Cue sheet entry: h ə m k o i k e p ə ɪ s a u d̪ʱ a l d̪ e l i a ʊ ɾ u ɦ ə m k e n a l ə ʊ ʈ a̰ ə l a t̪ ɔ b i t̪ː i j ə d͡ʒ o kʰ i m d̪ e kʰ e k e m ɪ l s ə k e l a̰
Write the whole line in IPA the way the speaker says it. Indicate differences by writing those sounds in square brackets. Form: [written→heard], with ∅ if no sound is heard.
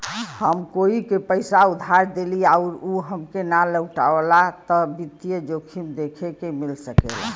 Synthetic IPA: h ə m k o i k e p ə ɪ s a u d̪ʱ a [l→ɾ] d̪ e l i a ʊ ɾ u ɦ ə m k e n a l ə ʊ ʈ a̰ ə l a t̪ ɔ b i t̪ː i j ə d͡ʒ o kʰ i m d̪ e kʰ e k e m [ɪ→i] l s ə k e l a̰